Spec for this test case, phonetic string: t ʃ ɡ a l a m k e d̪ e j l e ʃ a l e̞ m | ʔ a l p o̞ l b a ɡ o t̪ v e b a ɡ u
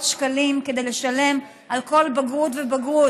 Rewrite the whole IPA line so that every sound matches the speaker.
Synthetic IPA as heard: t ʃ k a l i m k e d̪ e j l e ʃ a l e̞ m | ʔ a l k o̞ l b a ɡ u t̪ v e b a ɡ u